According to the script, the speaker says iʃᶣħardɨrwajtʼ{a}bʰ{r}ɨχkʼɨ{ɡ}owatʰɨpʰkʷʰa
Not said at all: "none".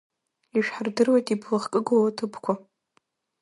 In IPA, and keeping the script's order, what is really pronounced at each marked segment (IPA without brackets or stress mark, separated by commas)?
i, l, ɡ